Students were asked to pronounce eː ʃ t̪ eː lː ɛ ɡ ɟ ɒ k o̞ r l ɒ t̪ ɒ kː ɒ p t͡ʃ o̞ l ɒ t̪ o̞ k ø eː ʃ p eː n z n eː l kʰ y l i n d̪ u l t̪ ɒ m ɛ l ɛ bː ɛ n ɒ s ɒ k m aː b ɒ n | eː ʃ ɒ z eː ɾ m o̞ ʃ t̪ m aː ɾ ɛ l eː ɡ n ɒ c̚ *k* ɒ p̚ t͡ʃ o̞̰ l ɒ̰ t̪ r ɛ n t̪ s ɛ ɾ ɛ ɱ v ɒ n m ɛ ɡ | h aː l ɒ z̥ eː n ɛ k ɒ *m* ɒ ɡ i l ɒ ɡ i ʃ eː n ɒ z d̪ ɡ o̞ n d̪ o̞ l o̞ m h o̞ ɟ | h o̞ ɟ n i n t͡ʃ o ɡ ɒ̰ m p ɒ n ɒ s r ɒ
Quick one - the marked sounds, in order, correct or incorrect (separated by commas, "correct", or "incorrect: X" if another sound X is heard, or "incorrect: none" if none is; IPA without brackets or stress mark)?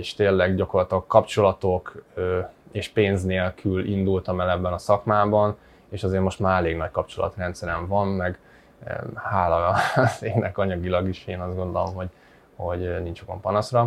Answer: correct, incorrect: ɲ